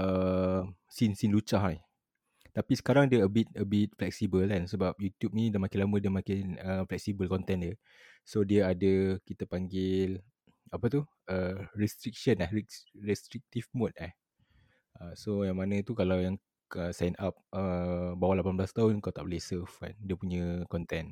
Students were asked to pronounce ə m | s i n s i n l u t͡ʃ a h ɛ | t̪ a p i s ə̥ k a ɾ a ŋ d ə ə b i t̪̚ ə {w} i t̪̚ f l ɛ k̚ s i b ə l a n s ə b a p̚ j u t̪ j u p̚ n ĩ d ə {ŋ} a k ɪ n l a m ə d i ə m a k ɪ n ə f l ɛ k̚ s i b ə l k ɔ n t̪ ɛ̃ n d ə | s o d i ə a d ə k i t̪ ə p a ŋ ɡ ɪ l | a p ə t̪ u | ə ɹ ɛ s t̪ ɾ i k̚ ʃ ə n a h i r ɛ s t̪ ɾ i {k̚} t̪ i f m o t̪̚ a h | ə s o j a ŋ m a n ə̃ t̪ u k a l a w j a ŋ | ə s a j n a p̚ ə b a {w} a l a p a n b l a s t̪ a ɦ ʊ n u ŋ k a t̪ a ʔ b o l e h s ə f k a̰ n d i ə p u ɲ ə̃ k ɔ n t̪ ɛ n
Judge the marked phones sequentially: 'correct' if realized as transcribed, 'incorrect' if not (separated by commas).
incorrect, incorrect, correct, correct